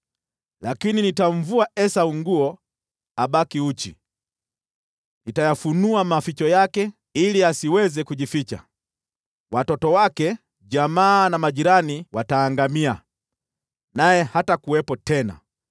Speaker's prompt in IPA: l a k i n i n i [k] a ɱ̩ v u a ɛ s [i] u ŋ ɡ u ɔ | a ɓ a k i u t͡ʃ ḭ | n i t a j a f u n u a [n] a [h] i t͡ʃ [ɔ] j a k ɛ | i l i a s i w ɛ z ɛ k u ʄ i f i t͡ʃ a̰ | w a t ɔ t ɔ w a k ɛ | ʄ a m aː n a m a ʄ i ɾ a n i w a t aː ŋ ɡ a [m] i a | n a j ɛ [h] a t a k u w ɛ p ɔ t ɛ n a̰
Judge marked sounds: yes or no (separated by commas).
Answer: no, no, no, no, yes, yes, yes